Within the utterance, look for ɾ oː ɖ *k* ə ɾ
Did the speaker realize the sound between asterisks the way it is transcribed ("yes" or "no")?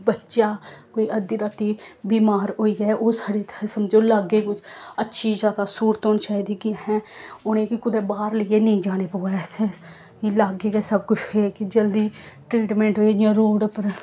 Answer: no